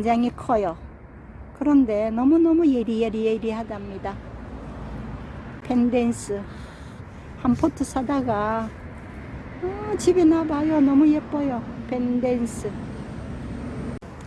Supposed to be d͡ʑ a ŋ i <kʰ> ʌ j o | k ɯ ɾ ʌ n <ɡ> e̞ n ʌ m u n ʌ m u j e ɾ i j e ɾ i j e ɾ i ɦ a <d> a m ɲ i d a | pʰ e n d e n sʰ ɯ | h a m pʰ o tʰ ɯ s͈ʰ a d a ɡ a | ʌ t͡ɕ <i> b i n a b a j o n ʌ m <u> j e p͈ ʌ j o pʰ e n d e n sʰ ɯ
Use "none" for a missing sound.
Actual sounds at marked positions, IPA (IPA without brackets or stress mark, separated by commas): kʰ, d, d, i, u